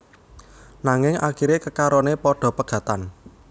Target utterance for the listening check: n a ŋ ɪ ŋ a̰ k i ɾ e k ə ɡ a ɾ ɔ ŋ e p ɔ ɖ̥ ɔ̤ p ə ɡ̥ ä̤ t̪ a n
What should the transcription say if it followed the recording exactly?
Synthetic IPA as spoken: n a ŋ ɪ ŋ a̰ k i ɾ e k ə k a ɾ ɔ n e p ɔ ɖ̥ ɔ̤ p ə ɡ̥ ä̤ t̪ a n